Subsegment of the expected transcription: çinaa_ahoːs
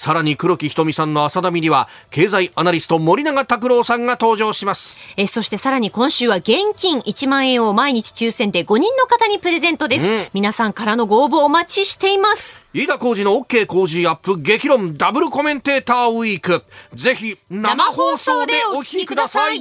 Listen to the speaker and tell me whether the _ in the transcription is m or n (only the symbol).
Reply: m